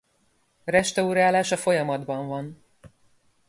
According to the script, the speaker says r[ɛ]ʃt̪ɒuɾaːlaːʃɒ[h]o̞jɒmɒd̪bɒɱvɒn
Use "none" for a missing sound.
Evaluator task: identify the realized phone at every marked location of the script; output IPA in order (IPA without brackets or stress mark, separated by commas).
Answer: ɛ, f